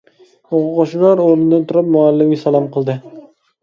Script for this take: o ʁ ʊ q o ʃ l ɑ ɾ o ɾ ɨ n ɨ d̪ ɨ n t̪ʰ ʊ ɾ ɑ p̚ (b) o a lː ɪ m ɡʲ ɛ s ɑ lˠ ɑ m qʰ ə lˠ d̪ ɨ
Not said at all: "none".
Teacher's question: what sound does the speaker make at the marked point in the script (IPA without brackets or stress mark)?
m